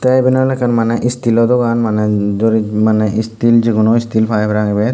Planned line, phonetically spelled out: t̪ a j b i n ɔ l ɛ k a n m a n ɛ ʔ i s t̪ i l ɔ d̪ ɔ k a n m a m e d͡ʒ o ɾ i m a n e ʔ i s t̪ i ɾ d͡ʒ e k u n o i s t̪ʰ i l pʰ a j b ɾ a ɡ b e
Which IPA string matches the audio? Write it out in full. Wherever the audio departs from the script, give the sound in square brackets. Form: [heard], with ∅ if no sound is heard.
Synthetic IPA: t̪ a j b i n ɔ l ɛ k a n m a n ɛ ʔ i s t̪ i l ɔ d̪ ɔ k a n m a [n] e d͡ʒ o ɾ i m a n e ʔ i s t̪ i [l] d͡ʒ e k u n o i s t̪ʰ i l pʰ a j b ɾ a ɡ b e